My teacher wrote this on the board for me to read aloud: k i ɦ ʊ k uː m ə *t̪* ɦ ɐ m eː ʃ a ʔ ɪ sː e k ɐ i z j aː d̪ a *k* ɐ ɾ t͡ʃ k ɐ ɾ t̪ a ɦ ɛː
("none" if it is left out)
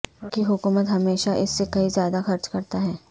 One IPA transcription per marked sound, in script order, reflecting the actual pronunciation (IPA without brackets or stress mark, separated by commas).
t̪, x